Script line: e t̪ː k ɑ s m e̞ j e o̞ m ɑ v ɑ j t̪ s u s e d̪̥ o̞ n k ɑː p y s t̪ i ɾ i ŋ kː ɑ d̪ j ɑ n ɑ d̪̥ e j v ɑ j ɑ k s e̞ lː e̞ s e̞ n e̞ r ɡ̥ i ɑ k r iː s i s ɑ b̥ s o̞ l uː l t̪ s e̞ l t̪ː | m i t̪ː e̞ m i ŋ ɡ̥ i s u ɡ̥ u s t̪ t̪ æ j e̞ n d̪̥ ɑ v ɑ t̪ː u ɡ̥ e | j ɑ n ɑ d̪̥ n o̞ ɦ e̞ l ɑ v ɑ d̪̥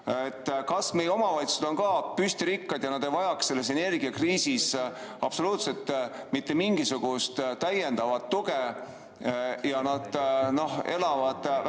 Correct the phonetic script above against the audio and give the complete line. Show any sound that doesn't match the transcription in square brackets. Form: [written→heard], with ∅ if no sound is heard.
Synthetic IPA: e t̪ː k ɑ s m e̞ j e o̞ m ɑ v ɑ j t̪ s u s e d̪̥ o̞ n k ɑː p y s t̪ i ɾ i [ŋ→∅] kː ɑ d̪ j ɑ n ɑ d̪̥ e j v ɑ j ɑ k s e̞ lː e̞ s e̞ n e̞ r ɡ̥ i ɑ k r iː s i s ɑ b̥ s o̞ l uː [l→∅] t̪ s e̞ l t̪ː | m i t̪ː e̞ m i ŋ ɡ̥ i s u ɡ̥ u s t̪ t̪ æ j e̞ n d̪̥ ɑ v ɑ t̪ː u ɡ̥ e | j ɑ n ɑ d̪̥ n o̞ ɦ e̞ l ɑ v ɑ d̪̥